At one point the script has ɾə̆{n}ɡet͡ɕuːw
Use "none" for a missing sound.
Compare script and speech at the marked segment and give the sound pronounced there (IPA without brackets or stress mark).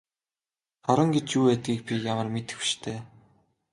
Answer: ŋ